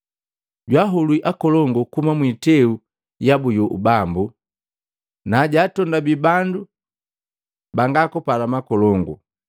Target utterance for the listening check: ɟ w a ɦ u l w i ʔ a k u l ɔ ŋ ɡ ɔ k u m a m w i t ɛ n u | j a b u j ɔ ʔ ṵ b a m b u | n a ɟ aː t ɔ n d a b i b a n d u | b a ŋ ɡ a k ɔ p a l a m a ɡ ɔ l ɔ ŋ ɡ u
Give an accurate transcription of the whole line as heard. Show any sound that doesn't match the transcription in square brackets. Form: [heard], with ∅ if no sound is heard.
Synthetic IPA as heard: ɟ w a ɦ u l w i ʔ a k [ɔ] l ɔ ŋ ɡ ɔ k u m a m w i t ɛ [∅] u | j a b u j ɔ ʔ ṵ b a m b u | n a ɟ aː t ɔ n d a b i b a n d u | b a ŋ ɡ a k ɔ p a l a m a [k] ɔ l ɔ ŋ ɡ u